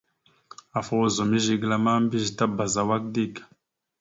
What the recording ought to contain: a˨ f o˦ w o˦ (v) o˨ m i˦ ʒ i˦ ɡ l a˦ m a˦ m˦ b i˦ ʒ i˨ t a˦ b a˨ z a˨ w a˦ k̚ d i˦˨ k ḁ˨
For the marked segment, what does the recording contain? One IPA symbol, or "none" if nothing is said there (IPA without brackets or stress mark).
z